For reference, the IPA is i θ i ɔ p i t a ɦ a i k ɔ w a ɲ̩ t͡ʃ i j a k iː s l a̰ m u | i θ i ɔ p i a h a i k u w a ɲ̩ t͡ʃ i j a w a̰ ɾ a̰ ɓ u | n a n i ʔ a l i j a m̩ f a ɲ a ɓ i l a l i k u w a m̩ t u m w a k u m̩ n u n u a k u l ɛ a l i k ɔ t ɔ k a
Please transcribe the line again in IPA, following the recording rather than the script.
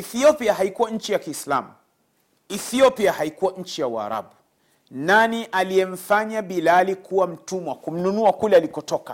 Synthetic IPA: i θ i ɔ p i a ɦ a i k u w a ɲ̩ t͡ʃ i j a k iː s l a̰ m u | i θ i ɔ p i a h a i k u w a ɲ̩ t͡ʃ i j a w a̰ ɾ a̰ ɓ u | n a n i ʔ a l i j ɛ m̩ f a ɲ a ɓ i l a l i k u w a m̩ t u m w a k u m̩ n u n u a k u l ɛ a l i k ɔ t ɔ k a